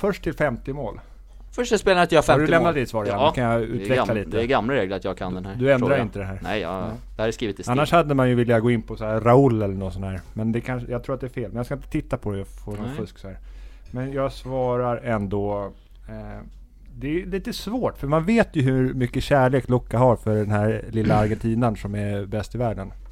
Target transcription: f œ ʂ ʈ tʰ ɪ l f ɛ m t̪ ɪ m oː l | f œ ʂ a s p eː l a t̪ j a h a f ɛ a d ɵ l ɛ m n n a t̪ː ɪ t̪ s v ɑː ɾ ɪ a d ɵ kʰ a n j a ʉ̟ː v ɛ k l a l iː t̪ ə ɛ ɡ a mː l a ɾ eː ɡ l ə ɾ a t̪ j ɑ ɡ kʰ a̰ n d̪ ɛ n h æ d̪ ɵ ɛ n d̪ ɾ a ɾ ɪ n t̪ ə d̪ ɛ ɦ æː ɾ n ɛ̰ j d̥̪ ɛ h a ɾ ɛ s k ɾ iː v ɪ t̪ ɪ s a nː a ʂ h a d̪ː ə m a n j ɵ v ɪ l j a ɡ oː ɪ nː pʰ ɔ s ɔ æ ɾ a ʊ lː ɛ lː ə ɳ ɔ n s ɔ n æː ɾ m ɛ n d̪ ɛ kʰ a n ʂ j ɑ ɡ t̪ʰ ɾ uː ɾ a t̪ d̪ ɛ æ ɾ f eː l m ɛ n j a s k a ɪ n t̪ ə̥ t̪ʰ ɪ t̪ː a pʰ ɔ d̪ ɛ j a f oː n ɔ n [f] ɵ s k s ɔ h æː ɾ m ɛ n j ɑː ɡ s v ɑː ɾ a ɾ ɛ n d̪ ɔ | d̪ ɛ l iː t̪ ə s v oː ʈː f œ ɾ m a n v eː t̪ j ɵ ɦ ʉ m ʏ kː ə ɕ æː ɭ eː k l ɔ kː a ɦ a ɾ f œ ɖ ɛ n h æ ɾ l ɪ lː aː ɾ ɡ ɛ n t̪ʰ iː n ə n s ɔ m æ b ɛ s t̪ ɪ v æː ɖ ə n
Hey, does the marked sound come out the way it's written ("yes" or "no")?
yes